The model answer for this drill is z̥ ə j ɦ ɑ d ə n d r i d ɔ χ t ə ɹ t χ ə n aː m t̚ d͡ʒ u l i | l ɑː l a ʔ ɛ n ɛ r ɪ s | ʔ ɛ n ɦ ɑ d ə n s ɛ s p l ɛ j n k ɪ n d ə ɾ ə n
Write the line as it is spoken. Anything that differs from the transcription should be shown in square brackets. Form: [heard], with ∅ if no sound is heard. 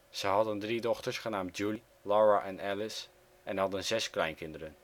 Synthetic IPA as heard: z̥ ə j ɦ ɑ d ə n d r i d ɔ χ t ə ɹ [s] χ ə n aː m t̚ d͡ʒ u l i | l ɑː [ɹ] a ʔ ɛ n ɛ [l] ɪ s | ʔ ɛ n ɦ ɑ d ə n [z] ɛ s [k] l ɛ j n k ɪ n d ə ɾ ə n